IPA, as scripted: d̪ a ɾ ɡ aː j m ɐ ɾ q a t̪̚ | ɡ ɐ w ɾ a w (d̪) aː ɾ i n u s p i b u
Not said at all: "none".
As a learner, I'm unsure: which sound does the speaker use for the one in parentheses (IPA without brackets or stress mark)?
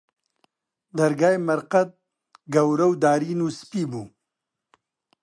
d̪